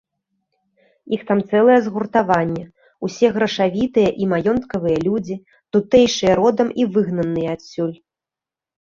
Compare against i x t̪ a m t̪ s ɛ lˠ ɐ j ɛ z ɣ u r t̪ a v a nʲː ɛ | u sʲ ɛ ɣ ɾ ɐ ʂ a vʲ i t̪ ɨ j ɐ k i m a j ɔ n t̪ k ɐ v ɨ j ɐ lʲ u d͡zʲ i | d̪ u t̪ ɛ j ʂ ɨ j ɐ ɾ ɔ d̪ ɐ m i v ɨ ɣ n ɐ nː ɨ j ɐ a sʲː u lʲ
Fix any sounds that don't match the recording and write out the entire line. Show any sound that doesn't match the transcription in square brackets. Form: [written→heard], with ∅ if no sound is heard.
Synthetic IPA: i x t̪ a m t̪ s ɛ lˠ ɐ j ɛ z ɣ u r t̪ a v a nʲː ɛ | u sʲ ɛ ɣ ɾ ɐ ʂ a vʲ i t̪ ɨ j ɐ [k→ʔ] i m a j ɔ n t̪ k ɐ v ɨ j ɐ lʲ u d͡zʲ i | [d̪→t̪] u t̪ ɛ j ʂ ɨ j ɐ ɾ ɔ d̪ ɐ m i v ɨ ɣ n ɐ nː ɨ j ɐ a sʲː u lʲ